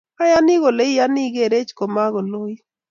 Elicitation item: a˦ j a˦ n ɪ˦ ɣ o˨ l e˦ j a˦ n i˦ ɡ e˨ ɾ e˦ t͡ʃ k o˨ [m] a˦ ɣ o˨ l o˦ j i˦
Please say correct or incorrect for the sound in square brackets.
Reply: correct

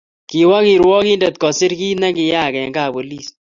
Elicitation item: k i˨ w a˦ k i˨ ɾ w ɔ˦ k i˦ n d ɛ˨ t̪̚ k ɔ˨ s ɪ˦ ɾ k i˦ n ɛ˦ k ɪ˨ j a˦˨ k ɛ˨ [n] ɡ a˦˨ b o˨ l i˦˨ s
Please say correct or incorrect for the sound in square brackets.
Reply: incorrect: ŋ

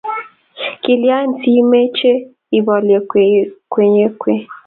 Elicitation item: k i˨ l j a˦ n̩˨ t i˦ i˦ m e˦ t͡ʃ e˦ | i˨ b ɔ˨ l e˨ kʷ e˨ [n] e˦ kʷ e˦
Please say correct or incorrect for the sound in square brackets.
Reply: incorrect: ɲ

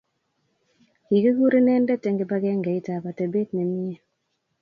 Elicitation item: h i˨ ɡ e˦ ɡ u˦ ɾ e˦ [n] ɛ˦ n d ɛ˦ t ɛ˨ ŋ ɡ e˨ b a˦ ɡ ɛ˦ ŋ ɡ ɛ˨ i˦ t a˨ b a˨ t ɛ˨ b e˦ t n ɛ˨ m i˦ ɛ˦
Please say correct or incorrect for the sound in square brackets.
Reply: correct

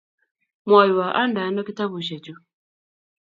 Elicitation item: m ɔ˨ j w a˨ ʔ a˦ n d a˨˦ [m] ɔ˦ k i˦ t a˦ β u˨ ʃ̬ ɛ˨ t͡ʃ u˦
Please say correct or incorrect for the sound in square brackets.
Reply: incorrect: n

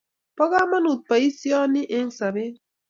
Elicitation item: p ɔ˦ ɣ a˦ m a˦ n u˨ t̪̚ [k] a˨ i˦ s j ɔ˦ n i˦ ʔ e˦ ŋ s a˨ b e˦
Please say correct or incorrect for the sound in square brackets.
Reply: incorrect: p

